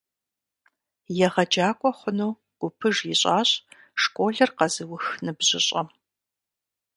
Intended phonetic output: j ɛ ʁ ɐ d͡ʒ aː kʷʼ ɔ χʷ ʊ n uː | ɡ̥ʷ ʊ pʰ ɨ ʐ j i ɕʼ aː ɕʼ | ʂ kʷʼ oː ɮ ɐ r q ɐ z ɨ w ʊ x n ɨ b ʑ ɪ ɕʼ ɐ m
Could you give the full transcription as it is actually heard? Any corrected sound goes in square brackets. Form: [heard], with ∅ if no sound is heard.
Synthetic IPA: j ɛ ʁ ɐ d͡ʒ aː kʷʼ ɔ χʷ ʊ n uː | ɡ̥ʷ ʊ pʰ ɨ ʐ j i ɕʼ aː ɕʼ | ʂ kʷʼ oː ɮ ɐ r q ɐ z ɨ w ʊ x n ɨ b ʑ ɪ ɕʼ ɐ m